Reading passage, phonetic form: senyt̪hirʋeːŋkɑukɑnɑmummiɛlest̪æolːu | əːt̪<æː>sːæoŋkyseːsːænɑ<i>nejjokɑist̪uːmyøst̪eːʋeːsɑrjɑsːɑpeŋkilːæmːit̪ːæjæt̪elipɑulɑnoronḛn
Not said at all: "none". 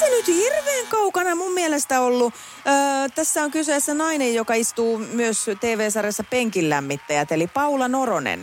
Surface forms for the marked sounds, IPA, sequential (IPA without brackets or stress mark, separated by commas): æ, i